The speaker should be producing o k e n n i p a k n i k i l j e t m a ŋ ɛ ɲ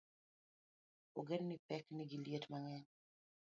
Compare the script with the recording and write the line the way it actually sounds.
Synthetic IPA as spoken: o ɡ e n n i p ɛ k n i ɡ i l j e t m a ŋ ɛ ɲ